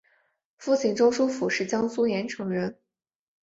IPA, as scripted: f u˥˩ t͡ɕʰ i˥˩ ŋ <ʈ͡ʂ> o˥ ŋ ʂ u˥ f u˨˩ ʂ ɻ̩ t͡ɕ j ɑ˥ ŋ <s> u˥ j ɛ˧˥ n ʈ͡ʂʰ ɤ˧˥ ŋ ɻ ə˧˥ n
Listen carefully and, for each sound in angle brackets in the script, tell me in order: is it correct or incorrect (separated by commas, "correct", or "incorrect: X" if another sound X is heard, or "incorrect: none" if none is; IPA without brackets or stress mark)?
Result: correct, correct